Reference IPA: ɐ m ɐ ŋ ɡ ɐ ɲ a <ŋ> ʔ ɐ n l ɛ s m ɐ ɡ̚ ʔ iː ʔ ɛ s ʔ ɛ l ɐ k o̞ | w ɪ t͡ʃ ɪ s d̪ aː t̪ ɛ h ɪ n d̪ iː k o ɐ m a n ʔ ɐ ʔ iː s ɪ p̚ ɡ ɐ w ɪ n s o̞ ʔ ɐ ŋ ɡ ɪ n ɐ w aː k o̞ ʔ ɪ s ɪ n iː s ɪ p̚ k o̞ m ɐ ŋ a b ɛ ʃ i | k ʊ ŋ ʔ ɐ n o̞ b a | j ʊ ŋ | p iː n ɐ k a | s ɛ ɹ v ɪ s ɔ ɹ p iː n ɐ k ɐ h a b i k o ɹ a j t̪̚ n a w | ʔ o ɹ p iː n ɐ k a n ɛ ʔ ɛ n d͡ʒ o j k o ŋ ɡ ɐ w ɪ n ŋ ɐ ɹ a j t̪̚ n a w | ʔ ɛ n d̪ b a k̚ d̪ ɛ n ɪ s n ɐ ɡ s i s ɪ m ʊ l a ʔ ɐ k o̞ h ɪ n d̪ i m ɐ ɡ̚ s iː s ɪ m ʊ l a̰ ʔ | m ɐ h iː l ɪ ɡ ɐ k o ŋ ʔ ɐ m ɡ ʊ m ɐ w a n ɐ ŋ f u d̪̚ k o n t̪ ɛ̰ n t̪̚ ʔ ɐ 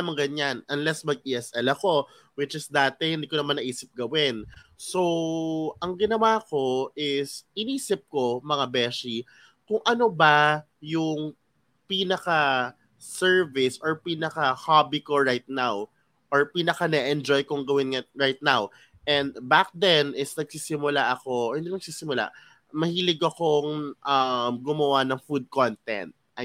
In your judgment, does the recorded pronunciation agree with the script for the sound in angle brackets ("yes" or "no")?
no